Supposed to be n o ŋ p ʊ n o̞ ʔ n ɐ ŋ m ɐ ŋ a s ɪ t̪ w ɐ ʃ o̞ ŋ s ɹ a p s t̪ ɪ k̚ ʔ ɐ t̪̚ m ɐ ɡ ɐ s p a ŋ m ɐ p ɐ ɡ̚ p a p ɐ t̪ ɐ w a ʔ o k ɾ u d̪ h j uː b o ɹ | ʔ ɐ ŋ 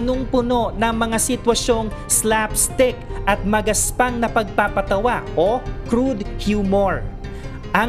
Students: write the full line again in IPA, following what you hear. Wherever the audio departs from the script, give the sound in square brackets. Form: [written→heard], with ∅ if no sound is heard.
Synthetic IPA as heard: n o ŋ p ʊ n o̞ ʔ n ɐ ŋ m ɐ ŋ a s ɪ t̪ w ɐ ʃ o̞ ŋ s [ɹ→l] a p s t̪ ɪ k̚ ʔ ɐ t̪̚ m ɐ ɡ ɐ s p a ŋ [m→n] ɐ p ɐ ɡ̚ p a p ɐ t̪ ɐ w a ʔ o k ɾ u d̪ h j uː [b→m] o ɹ | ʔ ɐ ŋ